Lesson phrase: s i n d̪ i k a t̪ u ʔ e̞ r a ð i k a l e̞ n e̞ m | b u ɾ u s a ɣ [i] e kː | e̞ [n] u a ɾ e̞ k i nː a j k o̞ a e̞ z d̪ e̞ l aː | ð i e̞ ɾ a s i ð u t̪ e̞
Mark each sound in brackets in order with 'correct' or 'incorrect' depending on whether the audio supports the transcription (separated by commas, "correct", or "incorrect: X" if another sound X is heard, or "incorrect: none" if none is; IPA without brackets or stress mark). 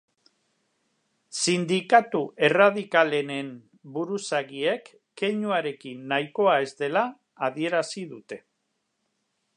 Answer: correct, incorrect: ɲ